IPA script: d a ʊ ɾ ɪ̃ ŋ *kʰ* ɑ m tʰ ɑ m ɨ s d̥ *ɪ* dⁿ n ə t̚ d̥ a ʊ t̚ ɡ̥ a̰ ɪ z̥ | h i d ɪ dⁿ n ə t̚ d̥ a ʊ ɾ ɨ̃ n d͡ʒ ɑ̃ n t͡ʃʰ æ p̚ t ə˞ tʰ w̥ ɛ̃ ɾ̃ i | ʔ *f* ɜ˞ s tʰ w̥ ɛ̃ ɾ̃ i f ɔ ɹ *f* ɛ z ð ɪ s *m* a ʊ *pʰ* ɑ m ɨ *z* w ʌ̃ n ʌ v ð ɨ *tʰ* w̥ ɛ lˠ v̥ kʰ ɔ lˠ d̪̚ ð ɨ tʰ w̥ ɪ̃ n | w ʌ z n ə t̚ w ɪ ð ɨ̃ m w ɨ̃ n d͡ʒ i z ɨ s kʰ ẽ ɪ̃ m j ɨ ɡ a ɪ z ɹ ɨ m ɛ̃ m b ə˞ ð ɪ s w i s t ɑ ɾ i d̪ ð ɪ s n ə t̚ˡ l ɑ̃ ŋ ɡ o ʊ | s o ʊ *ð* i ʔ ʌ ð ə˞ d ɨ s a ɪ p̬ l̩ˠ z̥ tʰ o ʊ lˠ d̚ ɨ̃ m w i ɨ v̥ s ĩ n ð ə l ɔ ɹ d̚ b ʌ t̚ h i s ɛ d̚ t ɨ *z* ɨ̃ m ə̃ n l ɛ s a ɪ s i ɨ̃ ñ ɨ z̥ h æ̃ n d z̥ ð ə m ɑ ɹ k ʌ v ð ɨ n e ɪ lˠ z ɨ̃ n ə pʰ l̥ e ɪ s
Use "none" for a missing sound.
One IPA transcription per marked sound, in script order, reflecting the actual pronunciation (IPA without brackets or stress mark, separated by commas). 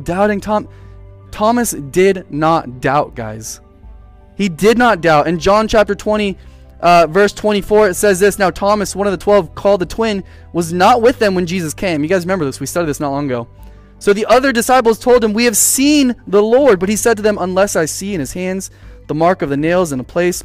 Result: tʰ, ɪ, v, s, n, tʰ, s, tʰ, ð, ð